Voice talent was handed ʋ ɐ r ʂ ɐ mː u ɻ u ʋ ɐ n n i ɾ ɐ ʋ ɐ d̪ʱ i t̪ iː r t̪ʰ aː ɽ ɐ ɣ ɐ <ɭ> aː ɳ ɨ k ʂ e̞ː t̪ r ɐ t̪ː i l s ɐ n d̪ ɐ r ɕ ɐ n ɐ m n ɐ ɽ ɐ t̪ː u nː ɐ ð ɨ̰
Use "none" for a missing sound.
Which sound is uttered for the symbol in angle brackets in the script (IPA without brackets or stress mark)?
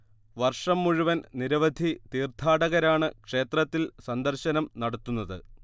ɾ